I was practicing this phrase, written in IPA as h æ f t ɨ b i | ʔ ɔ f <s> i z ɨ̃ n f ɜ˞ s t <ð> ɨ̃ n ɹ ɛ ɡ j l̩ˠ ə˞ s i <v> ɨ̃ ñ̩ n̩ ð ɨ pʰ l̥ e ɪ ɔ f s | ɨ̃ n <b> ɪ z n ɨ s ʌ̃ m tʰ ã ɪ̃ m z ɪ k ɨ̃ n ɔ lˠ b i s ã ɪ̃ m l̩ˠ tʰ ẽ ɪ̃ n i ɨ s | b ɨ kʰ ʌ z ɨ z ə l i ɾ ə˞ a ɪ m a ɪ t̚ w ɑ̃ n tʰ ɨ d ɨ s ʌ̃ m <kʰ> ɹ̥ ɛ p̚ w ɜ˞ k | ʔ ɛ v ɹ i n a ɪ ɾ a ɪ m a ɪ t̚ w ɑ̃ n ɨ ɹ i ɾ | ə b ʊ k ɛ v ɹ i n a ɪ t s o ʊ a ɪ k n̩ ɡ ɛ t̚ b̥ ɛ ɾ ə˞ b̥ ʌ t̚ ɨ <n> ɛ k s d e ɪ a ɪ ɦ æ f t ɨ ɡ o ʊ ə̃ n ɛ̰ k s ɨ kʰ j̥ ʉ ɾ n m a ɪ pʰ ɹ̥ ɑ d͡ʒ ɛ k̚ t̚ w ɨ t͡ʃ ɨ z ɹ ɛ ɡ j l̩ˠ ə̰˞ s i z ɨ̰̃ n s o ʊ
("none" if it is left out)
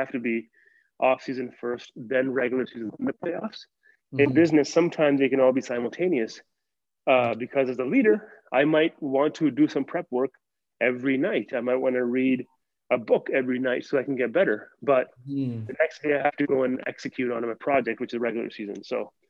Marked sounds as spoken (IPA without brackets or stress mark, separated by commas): s, ð, z, b, pʰ, n